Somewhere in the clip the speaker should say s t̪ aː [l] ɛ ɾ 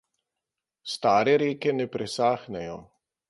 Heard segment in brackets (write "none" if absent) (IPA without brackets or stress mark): ɾ